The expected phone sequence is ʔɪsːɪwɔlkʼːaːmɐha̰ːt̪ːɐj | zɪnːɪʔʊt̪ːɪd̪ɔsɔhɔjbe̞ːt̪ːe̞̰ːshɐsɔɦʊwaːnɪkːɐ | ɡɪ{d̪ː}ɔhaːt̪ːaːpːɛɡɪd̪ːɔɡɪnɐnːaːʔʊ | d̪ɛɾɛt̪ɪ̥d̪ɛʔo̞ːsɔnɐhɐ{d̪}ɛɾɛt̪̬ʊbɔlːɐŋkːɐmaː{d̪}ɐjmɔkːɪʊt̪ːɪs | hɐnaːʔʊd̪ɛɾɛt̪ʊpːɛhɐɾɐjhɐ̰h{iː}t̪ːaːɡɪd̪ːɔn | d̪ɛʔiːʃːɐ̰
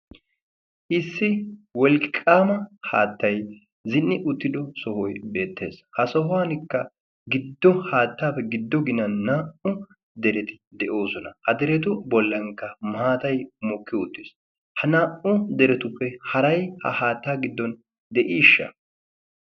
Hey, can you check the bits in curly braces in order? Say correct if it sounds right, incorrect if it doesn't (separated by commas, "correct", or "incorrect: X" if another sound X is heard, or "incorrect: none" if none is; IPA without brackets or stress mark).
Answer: correct, correct, incorrect: t̪, incorrect: aː